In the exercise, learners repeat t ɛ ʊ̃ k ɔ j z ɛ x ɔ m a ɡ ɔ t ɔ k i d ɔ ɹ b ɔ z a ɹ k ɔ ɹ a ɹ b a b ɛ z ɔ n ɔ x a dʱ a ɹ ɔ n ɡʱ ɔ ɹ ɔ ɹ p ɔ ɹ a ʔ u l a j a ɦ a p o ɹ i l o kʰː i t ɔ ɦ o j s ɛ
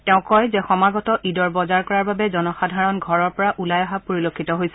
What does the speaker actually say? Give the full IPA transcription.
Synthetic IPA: t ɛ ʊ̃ k ɔ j z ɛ x ɔ m a ɡ ɔ t ɔ ʔ i d ɔ ɹ b ɔ z a ɹ k ɔ ɹ a ɹ b a b ɛ z ɔ n ɔ x a dʱ a ɹ ɔ n ɡʱ ɔ ɹ ɔ ɹ p ɔ ɹ a ʔ u l a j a ɦ a p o ɹ i l o kʰː i t ɔ ɦ o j s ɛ